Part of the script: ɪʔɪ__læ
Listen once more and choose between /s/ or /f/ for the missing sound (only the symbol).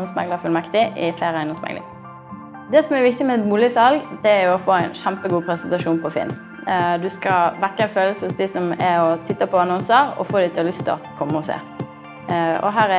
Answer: f